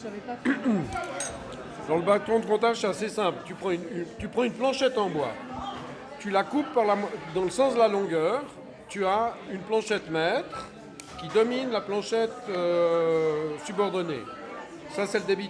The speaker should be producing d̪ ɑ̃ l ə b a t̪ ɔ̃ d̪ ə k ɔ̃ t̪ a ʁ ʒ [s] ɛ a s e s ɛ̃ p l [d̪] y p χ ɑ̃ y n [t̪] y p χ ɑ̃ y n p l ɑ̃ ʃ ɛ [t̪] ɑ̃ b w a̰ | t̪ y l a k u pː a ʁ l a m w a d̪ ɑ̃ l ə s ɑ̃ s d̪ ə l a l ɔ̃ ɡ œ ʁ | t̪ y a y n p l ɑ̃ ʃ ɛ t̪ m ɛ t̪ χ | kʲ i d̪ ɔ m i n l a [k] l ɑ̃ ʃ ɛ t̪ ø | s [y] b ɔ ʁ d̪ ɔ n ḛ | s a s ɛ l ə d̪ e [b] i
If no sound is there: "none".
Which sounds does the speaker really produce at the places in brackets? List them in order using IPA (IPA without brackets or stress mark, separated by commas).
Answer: s, t̪, t̪, t̪, p, y, b